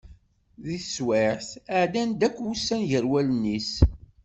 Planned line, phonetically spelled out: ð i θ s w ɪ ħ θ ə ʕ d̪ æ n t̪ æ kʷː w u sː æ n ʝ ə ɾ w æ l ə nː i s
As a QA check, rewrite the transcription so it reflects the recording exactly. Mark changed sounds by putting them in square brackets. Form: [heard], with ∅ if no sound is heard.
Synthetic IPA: ð i θ s w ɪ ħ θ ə ʕ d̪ æ n [d̪] æ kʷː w u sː æ n ʝ ə ɾ w æ l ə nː i s

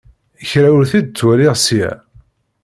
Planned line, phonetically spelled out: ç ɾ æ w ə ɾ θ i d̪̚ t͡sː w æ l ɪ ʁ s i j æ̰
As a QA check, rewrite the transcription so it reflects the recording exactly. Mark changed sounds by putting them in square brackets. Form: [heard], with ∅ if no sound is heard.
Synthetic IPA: ç ɾ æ w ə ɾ θ i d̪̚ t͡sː w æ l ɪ ʁ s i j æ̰

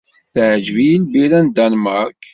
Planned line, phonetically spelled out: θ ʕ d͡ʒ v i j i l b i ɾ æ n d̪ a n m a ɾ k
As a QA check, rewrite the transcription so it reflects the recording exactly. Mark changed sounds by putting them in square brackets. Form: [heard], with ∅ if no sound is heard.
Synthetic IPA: θ ʕ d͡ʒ v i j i l b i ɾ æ n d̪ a n m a ɾ k

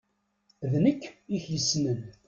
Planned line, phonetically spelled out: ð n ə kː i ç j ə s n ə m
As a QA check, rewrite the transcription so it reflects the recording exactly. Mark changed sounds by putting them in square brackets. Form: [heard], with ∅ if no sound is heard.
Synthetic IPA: ð n ə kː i ç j ə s n ə [n]

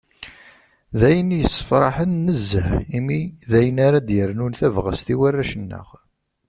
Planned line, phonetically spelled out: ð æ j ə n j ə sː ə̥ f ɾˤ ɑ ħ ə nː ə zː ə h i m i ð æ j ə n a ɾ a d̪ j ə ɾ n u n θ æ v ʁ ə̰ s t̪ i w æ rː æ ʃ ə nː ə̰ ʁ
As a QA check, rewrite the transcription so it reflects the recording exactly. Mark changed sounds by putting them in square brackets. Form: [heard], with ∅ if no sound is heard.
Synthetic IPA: ð æ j ə n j ə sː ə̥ f ɾˤ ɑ ħ ə nː ə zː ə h i m i ð æ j ə n a ɾ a d̪ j ə ɾ n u n θ æ v ʁ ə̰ s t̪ i w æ rː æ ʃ ə nː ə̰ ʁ

